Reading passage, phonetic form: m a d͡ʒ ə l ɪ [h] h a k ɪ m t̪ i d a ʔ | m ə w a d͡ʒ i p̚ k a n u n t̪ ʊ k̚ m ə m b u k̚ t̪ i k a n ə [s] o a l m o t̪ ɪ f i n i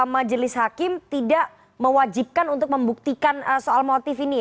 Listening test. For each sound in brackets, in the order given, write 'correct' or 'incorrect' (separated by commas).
incorrect, correct